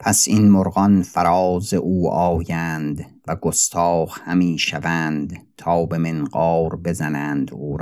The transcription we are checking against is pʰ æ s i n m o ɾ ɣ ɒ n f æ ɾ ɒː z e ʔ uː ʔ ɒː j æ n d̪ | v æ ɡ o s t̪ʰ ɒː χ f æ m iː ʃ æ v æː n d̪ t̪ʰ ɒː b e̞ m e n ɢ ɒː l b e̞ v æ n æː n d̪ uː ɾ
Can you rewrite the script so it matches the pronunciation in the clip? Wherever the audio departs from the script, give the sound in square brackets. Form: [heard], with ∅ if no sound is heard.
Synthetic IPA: pʰ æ s i n m o ɾ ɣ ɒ n f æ ɾ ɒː z e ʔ uː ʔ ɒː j æ n d̪ | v æ ɡ o s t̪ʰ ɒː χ [h] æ m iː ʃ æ v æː n d̪ t̪ʰ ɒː b e̞ m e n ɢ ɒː [ɾ] b e̞ [z] æ n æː n d̪ uː ɾ